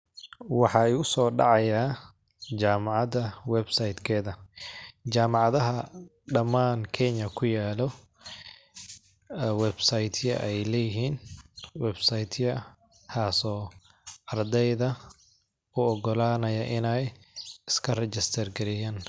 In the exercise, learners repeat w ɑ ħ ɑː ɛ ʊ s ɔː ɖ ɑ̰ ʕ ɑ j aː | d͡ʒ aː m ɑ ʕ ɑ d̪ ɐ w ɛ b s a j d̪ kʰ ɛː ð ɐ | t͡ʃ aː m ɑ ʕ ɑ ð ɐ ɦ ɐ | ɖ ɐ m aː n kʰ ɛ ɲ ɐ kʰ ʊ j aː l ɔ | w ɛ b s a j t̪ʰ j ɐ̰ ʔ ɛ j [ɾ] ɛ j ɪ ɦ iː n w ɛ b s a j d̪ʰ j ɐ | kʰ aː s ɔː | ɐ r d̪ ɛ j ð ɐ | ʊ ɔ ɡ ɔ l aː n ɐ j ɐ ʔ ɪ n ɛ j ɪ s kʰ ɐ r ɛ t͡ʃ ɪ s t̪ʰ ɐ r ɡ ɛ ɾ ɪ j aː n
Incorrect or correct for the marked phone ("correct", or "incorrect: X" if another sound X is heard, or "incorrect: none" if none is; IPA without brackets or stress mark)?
incorrect: l